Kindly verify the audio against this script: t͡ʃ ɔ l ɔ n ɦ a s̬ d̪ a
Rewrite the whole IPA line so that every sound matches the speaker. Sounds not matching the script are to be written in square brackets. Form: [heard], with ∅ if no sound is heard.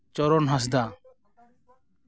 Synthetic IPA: t͡ʃ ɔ [ɾ] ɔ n ɦ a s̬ d̪ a